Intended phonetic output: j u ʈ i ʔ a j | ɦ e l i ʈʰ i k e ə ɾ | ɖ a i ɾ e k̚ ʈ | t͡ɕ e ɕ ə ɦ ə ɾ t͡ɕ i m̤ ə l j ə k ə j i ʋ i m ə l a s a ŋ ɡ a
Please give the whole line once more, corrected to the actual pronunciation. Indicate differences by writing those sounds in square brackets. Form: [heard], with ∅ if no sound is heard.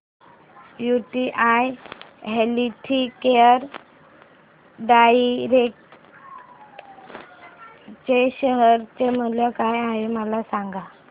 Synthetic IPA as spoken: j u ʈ i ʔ a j | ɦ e l i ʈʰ i k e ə ɾ | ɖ a i ɾ e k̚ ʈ | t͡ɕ e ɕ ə ɦ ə ɾ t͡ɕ [e] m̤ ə l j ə k [a] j [a] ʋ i m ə l a s a ŋ ɡ a